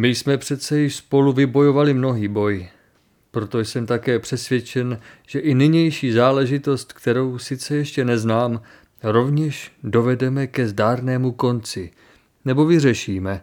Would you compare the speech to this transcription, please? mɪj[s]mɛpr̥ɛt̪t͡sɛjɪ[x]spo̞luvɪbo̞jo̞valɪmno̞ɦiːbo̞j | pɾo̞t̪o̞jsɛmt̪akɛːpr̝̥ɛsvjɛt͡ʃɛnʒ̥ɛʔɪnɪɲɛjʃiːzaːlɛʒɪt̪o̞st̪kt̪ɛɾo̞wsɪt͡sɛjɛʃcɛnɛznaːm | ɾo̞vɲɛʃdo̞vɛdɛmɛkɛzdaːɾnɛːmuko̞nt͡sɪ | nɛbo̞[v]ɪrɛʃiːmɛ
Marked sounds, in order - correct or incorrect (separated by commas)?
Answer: correct, incorrect, correct